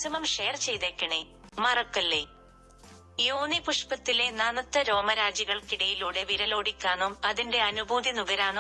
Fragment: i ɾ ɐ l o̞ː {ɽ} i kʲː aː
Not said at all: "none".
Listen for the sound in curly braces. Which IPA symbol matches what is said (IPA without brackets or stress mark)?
ɽ